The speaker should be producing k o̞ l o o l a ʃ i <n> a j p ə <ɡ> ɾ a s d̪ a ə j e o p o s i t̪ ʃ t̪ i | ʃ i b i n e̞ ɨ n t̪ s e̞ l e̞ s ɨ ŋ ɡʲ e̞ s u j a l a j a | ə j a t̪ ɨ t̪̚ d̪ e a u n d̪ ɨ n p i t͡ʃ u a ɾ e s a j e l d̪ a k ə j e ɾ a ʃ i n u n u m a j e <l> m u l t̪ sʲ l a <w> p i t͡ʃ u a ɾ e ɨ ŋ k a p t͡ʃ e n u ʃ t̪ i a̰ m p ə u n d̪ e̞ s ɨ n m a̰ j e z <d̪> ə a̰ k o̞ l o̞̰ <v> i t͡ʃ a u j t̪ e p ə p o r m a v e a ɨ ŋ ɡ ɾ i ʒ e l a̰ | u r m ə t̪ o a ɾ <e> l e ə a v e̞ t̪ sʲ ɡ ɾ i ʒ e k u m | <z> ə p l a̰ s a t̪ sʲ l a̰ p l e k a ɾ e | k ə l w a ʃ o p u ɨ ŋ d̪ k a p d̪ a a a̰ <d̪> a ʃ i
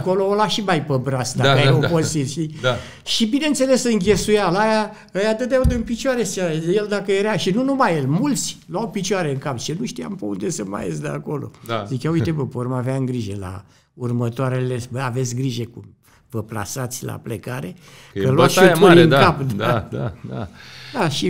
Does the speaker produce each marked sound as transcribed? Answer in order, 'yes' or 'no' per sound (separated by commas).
no, no, yes, yes, yes, no, yes, no, yes